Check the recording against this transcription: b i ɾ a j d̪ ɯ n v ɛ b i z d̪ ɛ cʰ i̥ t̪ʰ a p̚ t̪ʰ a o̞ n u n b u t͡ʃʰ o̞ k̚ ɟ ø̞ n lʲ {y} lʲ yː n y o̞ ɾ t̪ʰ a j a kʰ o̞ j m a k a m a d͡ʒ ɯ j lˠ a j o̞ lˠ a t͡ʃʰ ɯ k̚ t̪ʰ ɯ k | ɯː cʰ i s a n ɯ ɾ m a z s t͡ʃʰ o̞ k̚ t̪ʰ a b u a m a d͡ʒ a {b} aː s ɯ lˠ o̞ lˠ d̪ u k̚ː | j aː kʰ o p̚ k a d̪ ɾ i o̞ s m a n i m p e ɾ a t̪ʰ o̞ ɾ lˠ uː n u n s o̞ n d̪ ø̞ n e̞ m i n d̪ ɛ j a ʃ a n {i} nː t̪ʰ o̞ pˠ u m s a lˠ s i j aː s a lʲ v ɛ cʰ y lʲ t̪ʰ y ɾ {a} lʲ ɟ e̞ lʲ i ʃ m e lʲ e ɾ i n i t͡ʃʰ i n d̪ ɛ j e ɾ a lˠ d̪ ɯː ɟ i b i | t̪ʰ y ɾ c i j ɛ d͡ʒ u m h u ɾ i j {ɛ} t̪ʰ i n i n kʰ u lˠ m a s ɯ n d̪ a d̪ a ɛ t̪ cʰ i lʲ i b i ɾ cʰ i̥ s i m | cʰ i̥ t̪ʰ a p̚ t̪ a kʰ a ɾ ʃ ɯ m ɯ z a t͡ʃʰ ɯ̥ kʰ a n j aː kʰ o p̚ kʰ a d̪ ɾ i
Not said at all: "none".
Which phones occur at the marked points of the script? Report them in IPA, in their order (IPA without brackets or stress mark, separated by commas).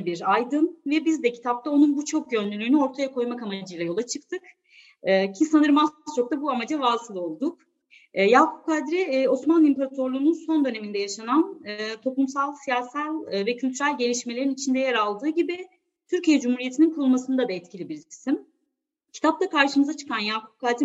y, v, a, æ, e